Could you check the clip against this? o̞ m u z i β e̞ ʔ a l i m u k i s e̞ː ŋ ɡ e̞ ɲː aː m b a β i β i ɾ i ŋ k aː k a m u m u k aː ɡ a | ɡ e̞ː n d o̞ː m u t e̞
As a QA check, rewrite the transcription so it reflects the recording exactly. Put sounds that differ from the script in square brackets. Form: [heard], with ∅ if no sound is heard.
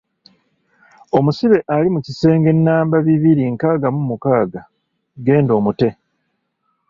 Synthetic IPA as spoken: o̞ m u [s] i β e̞ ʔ a l i m u [c] i s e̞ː ŋ ɡ e̞ [nː] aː m b a β i β i ɾ i ŋ k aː [ɡ] a m u m u k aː ɡ a | ɡ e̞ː n d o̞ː m u t e̞